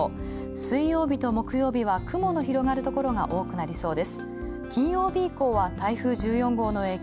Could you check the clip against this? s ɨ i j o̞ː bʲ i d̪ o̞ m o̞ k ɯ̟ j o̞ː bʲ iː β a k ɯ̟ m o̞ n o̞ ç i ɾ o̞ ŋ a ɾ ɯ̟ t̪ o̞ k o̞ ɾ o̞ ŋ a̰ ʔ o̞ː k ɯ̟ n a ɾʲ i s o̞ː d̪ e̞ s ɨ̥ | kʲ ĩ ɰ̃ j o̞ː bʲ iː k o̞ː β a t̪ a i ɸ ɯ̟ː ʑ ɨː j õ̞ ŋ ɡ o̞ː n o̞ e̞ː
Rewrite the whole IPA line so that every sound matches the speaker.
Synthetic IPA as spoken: s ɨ i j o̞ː bʲ i t̪ o̞ m o̞ k ɯ̟ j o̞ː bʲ i β a k ɯ̟ m o̞ n o̞ ç i ɾ o̞ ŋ a ɾ ɯ̟ t̪ o̞ k o̞ ɾ o̞ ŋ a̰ ʔ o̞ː k ɯ̟ n a ɾʲ i s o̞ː d̪ e̞ s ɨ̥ | kʲ ĩ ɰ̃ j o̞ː bʲ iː k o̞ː β a t̪ a i ɸ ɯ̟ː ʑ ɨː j õ̞ ŋ ɡ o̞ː n o̞ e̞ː

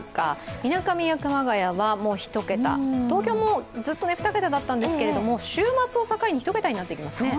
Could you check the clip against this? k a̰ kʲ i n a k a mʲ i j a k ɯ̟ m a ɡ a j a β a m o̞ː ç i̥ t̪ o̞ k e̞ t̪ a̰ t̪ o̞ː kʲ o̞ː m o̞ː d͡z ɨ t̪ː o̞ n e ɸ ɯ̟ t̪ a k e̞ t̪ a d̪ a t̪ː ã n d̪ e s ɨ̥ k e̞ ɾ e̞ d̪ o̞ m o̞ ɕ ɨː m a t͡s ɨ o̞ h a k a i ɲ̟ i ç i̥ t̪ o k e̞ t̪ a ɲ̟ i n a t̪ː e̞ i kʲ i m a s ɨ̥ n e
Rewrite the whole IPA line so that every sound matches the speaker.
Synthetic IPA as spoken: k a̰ i n a k a mʲ i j a k ɯ̟ m a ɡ a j a β a m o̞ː ç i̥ t̪ o̞ k e̞ t̪ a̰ t̪ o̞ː kʲ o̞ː m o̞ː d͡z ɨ t̪ː o̞ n e ɸ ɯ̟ t̪ a k e̞ t̪ a d̪ a t̪ː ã n d̪ e s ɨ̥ k e̞ ɾ e̞ d̪ o̞ m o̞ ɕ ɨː m a t͡s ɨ o̞ s a k a i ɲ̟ i ç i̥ t̪ o k e̞ t̪ a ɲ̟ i n a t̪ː e̞ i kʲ i m a s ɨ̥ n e

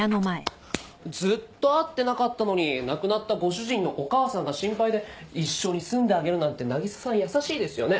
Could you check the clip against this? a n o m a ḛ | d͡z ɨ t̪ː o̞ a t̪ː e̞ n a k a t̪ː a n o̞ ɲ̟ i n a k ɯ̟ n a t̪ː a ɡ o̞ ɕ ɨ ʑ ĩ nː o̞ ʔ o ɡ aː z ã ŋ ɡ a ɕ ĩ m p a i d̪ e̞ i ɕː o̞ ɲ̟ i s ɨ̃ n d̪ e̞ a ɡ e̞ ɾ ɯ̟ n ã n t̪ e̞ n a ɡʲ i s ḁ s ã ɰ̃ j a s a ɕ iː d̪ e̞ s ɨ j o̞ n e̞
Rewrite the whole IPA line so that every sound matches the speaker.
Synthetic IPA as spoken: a n o m a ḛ | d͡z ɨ t̪ː o̞ a t̪ː e̞ n a k a t̪ː a n o̞ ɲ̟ i n a k ɯ̟ n a t̪ː a ɡ o̞ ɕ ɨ ʑ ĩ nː o̞ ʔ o k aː s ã ŋ ɡ a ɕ ĩ m p a i d̪ e̞ i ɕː o̞ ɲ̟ i s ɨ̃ n d̪ e̞ a ɡ e̞ ɾ ɯ̟ n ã n t̪ e̞ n a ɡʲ i s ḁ s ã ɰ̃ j a s a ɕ iː d̪ e̞ s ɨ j o̞ n e̞

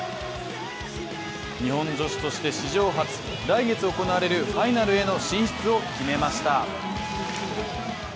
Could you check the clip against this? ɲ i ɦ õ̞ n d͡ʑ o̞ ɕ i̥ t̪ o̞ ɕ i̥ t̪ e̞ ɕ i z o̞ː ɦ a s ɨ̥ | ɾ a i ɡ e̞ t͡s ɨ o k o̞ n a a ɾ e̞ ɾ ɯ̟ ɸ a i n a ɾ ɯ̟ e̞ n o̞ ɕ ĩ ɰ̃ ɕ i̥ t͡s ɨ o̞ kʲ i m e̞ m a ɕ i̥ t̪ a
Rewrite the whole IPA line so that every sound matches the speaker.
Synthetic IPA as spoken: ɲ i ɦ õ̞ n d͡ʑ o̞ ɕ i̥ t̪ o̞ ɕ i̥ t̪ e̞ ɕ i ʑ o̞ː ɦ a t͡s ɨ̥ | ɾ a i ɡ e̞ t͡s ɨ o k o̞ n a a ɾ e̞ ɾ ɯ̟ ɸ a i n a ɾ ɯ̟ e̞ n o̞ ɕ ĩ ɰ̃ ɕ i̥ t͡s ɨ o̞ kʲ i m e̞ m a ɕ i̥ t̪ a

